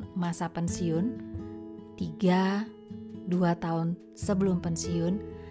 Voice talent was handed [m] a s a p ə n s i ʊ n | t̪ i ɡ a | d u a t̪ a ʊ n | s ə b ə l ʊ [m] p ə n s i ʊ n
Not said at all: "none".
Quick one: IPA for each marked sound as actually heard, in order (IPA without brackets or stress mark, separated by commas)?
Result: m, m